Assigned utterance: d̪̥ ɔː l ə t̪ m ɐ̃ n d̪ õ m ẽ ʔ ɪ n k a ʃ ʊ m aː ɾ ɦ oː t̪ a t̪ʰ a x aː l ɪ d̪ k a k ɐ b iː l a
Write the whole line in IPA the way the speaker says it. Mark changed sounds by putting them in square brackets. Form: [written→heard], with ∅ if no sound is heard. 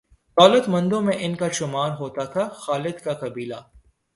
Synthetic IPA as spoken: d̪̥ ɔː l ə t̪ m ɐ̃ n d̪ õ m ẽ ʔ ɪ n k a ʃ ʊ m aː ɾ ɦ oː t̪ a t̪ʰ a x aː l ɪ d̪ k a k ɐ b iː l a